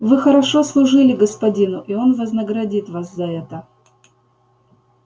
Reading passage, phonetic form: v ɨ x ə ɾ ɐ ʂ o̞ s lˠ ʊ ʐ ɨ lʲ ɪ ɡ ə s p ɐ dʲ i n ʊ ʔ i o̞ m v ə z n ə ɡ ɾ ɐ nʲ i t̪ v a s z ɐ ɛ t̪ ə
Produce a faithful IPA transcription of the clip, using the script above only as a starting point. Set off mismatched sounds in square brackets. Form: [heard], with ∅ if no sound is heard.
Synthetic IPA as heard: v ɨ x ə ɾ ɐ ʂ o̞ s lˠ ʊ ʐ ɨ lʲ ɪ ɡ ə s p ɐ dʲ i n ʊ ʔ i o̞ [n] v ə z n ə ɡ ɾ ɐ [dʲ] i t̪ v a s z ɐ ɛ t̪ ə